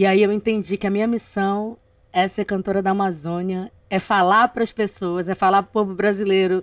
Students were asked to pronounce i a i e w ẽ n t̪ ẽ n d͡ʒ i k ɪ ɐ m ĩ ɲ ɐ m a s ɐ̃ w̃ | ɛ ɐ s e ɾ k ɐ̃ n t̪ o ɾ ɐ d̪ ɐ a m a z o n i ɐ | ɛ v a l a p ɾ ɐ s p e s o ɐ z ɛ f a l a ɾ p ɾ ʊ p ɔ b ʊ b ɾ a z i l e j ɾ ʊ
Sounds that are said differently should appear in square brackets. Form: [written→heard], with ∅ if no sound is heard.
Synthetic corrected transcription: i a i e w ẽ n t̪ ẽ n d͡ʒ i k ɪ ɐ m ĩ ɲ ɐ m [a→i] s ɐ̃ w̃ | ɛ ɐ s e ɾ k ɐ̃ n t̪ o ɾ ɐ d̪ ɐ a m a z [o→õ] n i ɐ | ɛ [v→f] a l a p ɾ ɐ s p e s o ɐ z ɛ f a l a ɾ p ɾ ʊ p [ɔ→o] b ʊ b ɾ a z i l e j ɾ ʊ